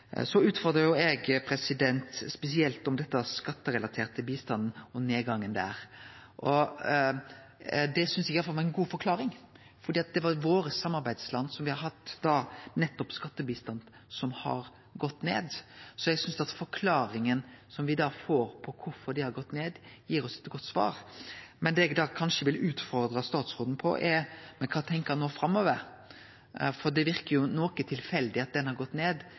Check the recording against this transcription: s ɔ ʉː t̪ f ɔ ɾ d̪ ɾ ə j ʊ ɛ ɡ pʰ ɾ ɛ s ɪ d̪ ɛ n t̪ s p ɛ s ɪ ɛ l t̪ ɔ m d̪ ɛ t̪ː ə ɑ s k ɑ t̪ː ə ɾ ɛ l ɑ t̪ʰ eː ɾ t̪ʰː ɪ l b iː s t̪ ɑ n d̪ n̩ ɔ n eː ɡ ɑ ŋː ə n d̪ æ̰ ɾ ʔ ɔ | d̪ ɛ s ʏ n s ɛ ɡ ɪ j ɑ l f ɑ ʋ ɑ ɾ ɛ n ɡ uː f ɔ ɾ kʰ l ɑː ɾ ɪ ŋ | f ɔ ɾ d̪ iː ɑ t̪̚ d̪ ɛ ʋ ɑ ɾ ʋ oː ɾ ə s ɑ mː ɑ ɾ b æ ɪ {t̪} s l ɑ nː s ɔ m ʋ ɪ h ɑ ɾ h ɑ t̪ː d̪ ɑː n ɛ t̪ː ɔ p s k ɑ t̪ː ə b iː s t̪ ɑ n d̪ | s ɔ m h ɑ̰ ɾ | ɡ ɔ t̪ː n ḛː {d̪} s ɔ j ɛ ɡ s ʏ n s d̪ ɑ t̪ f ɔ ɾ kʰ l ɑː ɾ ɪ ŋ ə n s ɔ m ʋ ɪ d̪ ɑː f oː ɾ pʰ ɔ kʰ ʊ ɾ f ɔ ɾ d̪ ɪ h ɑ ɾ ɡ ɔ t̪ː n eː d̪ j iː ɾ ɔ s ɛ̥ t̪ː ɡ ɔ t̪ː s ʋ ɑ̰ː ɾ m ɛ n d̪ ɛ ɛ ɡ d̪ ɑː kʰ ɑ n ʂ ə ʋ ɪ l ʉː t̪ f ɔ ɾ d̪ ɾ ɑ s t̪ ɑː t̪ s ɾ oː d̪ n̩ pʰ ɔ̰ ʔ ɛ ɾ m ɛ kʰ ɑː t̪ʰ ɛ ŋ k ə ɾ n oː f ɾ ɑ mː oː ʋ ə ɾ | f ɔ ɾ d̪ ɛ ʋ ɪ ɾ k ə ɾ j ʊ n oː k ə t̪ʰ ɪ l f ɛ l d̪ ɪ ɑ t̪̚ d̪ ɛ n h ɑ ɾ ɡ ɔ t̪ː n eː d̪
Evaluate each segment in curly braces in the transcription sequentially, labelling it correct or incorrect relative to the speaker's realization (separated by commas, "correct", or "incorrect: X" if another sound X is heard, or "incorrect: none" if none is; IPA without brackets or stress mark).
incorrect: d̪, correct